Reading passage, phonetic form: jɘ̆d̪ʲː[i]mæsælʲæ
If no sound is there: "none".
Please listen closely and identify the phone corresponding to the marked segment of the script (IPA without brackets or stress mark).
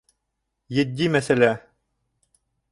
i